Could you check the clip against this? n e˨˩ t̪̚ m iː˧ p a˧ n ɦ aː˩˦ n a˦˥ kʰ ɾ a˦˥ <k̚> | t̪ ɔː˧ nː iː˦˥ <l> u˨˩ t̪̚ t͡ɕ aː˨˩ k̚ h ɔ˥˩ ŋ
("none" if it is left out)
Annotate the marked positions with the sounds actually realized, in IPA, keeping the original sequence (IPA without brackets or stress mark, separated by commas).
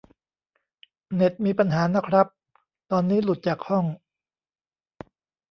p̚, l